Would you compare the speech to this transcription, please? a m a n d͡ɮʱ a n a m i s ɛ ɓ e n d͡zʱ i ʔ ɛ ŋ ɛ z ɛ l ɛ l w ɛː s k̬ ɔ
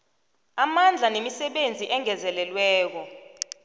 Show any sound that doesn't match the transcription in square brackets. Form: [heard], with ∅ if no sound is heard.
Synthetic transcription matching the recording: a m a n d͡ɮʱ a n [e] m i s ɛ ɓ e n d͡zʱ i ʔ ɛ ŋ ɛ z ɛ l ɛ l w ɛː [∅] k̬ ɔ